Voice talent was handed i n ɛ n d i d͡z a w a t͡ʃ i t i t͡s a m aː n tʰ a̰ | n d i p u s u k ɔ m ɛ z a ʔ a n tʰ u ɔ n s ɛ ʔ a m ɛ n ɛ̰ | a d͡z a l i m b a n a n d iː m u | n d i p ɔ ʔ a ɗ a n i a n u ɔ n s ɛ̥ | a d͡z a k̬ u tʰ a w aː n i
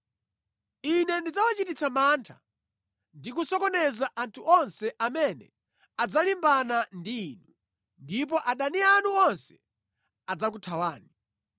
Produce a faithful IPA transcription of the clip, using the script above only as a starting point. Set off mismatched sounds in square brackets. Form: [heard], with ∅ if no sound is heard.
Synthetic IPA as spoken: i n ɛ n d i d͡z a w a t͡ʃ i t i t͡s a m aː n tʰ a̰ | n d i [k] u s [ɔ] k ɔ [n] ɛ z a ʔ a n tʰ u ɔ n s ɛ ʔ a m ɛ n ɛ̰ | a d͡z a l i m b a n a n d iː [n] u | n d i p ɔ ʔ a ɗ a n i a n u ɔ n s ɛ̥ | a d͡z a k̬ u tʰ a w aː n i